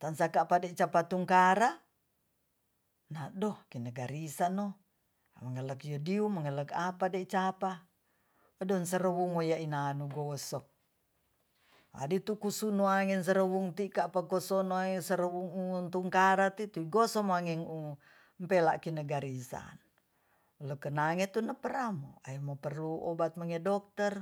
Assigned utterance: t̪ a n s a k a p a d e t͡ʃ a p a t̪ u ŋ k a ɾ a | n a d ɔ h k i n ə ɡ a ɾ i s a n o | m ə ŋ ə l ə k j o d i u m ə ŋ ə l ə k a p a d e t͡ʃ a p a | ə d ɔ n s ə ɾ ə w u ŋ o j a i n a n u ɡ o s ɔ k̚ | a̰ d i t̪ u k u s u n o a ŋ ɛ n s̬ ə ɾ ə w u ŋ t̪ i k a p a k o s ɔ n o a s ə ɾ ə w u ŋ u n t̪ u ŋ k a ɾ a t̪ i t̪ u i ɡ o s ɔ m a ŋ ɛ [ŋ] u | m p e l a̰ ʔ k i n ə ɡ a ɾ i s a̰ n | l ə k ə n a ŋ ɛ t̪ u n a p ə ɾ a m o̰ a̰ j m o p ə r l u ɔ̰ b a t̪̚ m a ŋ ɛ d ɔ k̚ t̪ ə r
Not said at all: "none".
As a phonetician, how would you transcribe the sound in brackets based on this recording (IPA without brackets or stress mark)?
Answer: ŋ